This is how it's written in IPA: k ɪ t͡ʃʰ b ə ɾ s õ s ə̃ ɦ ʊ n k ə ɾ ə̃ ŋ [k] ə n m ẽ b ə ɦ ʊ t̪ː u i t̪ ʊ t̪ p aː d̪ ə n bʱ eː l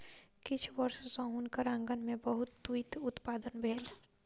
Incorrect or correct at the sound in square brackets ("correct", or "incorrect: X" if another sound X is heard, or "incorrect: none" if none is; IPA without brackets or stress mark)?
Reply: incorrect: ɡ